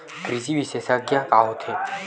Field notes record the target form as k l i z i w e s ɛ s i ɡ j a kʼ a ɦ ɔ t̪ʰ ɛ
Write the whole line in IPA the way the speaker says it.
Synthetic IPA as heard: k ɾ i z i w i s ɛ s a ɡ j a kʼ a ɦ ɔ t̪ʰ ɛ